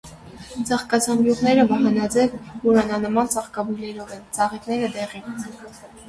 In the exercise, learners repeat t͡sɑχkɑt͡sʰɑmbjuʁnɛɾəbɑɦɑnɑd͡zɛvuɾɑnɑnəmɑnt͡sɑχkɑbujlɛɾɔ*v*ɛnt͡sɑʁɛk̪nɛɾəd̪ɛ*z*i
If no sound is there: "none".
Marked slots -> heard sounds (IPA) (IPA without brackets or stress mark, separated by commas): v, ʁ